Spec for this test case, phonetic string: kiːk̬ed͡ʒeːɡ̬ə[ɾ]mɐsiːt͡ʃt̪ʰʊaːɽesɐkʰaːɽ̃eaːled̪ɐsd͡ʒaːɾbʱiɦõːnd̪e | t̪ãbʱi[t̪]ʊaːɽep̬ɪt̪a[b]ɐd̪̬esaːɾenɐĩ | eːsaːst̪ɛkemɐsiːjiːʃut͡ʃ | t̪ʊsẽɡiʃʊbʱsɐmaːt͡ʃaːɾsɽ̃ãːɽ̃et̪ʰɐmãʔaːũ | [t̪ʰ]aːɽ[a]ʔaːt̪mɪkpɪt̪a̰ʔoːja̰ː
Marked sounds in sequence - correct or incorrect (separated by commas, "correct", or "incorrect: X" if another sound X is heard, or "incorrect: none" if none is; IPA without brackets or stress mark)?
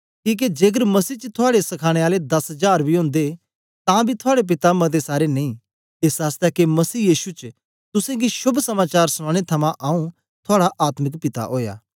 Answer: correct, incorrect: t̪ʰ, incorrect: m, correct, correct